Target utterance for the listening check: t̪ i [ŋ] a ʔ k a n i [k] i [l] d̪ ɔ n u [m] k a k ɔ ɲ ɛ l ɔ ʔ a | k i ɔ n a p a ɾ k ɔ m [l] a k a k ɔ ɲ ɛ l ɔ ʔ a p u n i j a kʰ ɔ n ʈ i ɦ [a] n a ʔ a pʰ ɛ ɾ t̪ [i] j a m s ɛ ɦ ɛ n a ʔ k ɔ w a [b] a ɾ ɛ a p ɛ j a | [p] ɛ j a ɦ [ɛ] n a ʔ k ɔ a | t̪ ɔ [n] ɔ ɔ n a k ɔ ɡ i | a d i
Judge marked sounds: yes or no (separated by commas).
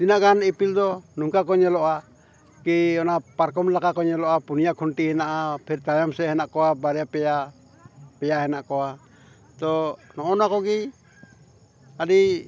no, no, yes, no, yes, no, no, yes, yes, yes, yes